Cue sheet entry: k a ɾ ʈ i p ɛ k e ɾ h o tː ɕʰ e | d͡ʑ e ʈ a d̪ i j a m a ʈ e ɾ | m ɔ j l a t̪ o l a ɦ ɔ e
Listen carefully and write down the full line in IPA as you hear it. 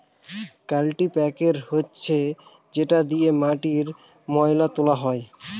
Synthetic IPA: k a l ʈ i p ɛ k e ɾ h o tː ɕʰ e | d͡ʑ e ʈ a d̪ i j e m a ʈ i ɾ | m ɔ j l a t̪ o l a ɦ ɔ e